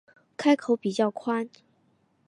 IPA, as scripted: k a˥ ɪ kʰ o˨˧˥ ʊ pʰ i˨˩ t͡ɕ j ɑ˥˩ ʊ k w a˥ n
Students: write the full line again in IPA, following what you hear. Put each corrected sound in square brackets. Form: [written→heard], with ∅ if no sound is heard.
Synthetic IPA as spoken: [k→kʰ] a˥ ɪ kʰ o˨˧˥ ʊ [pʰ→p] i˨˩ t͡ɕ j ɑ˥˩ ʊ [k→kʰ] w a˥ n